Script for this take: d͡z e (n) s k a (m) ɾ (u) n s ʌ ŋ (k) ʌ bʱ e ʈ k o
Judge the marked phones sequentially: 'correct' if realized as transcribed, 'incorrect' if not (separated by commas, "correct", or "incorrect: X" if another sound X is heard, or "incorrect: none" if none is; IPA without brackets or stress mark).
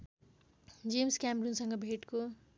incorrect: m, correct, correct, incorrect: ɡ